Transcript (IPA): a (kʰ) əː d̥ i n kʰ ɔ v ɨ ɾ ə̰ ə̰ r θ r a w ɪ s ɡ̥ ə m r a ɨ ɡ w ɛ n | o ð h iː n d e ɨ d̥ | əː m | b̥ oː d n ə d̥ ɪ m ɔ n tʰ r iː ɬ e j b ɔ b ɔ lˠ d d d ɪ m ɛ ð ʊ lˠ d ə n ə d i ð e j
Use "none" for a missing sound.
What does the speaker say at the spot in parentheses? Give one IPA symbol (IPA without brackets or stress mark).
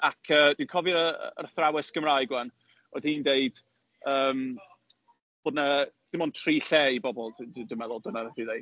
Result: kʰ